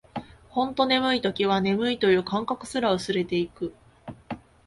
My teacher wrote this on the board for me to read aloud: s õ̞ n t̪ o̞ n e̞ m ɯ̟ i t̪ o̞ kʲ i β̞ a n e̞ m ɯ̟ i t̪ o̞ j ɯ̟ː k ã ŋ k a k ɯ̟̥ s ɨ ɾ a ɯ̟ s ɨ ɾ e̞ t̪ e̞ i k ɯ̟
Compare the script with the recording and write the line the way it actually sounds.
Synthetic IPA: h õ̞ n t̪ o̞ n e̞ m ɯ̟ i t̪ o̞ kʲ i β̞ a n e̞ m ɯ̟ i t̪ o̞ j ɯ̟ː k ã ŋ k a k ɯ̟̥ s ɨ ɾ a ɯ̟ s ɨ ɾ e̞ t̪ e̞ i k ɯ̟